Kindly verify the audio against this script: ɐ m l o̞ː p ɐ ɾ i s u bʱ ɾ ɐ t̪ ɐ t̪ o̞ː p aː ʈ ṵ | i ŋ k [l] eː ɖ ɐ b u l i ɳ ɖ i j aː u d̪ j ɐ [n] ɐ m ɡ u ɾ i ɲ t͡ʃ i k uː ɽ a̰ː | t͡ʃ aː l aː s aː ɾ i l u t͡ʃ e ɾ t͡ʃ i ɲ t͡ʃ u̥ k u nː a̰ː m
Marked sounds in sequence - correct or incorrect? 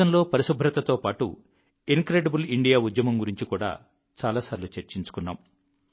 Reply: incorrect: ɾ, incorrect: m

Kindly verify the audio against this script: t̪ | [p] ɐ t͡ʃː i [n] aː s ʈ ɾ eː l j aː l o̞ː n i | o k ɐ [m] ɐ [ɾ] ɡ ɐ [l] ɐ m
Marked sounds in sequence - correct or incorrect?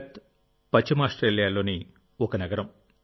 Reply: correct, incorrect: m, incorrect: n, incorrect: none, incorrect: ɾ

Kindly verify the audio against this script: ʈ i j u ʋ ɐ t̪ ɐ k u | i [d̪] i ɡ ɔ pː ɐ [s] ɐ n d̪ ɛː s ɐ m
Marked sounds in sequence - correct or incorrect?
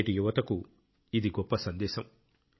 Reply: correct, correct

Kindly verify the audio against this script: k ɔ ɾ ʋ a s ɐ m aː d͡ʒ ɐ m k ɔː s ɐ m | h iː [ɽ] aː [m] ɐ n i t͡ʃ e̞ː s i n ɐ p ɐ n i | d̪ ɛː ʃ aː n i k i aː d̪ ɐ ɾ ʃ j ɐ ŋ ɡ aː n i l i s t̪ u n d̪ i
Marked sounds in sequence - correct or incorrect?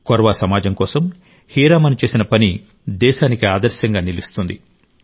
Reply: incorrect: ɾ, correct

